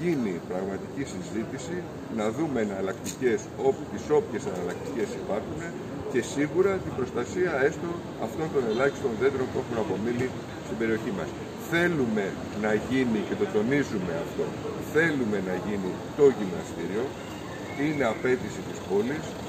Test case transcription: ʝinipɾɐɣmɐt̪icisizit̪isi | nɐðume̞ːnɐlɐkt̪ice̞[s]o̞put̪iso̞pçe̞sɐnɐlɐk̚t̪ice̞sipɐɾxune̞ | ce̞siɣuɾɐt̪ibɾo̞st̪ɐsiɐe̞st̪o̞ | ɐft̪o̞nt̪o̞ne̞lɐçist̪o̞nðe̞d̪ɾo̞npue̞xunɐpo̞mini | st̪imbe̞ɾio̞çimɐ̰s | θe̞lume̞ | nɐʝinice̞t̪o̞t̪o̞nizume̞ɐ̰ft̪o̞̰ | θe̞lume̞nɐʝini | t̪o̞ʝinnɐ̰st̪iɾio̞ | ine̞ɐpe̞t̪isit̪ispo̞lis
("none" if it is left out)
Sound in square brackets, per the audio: s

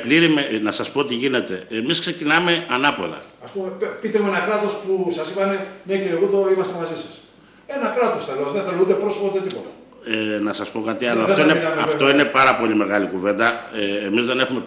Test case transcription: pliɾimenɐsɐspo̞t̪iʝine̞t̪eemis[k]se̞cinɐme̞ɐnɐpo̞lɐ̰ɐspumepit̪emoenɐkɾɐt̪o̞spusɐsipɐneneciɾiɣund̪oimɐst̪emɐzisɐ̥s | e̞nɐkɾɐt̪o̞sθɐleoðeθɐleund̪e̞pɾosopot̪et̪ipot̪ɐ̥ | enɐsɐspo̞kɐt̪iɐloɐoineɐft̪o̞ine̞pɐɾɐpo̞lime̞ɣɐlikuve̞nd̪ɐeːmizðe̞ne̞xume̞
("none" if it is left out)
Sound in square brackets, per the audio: k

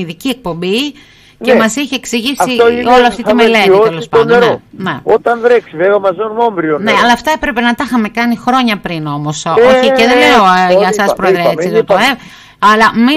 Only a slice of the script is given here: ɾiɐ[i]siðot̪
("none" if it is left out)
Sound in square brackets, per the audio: e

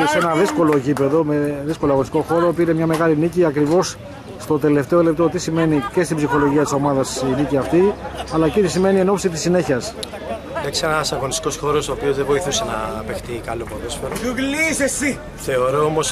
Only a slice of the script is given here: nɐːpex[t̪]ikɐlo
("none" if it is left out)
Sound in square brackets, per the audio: t̪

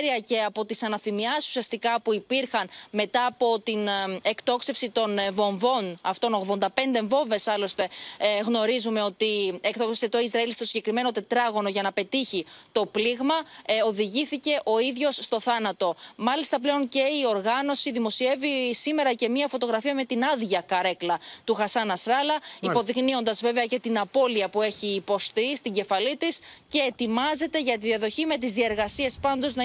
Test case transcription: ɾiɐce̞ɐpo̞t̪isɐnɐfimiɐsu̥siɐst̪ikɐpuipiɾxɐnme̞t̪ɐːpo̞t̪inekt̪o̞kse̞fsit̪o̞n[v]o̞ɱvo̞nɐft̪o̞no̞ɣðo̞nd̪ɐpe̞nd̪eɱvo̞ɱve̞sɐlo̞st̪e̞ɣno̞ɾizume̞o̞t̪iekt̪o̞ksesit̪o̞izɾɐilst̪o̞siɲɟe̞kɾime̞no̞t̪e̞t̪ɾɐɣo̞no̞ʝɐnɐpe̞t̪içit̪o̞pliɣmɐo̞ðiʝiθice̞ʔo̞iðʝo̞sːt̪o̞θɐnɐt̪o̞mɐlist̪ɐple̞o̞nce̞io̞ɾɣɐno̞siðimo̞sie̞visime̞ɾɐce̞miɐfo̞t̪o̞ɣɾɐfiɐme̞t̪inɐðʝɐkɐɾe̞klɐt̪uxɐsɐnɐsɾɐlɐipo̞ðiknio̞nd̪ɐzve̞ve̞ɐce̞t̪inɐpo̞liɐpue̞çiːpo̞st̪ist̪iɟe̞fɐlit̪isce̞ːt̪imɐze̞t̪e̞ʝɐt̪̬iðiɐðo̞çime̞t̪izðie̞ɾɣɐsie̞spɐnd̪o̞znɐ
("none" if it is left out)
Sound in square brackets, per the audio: v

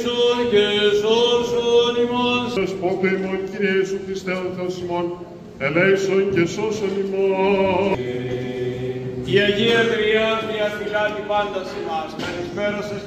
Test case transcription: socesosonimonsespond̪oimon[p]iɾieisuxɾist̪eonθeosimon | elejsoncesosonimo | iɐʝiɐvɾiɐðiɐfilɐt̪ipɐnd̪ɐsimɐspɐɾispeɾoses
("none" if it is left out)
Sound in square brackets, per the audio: c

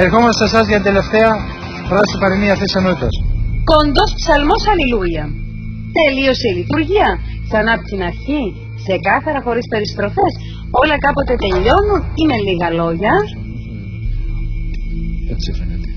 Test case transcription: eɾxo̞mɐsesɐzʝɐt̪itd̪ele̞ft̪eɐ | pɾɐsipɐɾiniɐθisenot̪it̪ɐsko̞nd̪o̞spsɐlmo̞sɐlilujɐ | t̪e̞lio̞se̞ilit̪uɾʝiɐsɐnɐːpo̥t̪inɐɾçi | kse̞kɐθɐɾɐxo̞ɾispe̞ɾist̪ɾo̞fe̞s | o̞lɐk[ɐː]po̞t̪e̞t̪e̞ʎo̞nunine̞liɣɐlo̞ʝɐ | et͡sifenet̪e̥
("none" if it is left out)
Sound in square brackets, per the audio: ɐ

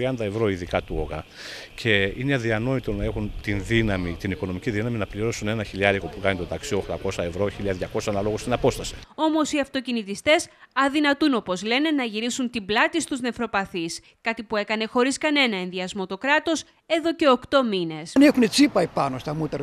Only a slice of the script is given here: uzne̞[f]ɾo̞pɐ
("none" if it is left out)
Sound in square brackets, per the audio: f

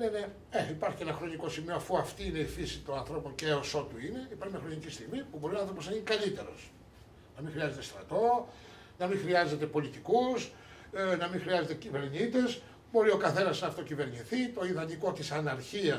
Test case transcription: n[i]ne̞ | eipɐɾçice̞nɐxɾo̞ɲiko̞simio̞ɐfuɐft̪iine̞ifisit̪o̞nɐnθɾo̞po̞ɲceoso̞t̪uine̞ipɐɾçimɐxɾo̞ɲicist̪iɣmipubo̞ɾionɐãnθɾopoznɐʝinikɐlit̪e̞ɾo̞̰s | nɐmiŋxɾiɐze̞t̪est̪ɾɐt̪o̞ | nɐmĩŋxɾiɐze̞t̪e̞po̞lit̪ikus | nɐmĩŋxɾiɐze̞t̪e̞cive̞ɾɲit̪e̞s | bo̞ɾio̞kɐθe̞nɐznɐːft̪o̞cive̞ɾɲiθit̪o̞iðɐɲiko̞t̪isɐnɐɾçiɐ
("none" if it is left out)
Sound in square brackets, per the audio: e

